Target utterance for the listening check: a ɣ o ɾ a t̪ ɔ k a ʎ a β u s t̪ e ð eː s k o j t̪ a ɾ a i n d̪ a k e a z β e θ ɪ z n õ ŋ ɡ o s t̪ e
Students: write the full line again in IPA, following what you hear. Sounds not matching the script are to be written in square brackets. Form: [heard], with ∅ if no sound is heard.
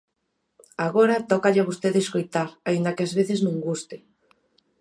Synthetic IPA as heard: a ɣ o ɾ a t̪ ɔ k a ʎ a β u s t̪ e ð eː s k o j t̪ a ɾ a i n d̪ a k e a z β e θ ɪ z n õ ŋ ɡ [u] s t̪ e